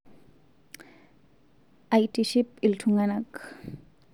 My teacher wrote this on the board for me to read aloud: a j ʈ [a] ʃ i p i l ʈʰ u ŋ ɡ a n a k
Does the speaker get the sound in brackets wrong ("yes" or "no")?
yes